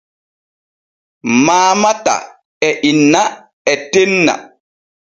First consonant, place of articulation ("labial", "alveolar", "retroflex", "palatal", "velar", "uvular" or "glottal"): labial